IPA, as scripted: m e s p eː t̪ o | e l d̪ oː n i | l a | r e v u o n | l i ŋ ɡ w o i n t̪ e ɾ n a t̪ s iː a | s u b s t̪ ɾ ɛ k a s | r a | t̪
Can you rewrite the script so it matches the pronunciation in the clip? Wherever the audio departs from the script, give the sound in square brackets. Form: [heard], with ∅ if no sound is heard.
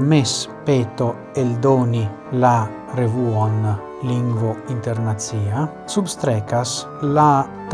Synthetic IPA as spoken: m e s p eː t̪ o | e l d̪ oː n i | l a | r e v u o n | l i ŋ ɡ [v] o i n t̪ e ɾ n a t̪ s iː a | s u b s t̪ ɾ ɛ k a s | [l] a | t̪